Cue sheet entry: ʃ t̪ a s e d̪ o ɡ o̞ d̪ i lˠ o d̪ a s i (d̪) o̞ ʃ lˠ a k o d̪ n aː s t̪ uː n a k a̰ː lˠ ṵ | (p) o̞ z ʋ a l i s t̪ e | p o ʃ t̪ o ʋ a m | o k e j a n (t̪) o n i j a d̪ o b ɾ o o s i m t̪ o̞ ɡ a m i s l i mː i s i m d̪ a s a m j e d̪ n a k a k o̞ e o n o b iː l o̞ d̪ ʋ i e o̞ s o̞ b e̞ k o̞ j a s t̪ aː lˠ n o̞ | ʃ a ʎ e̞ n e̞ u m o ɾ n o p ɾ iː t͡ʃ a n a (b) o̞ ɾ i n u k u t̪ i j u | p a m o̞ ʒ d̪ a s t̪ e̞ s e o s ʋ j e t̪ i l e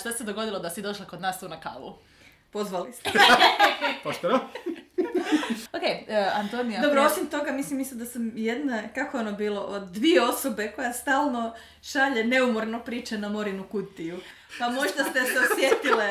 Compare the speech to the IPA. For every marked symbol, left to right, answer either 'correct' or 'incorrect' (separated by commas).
correct, correct, correct, incorrect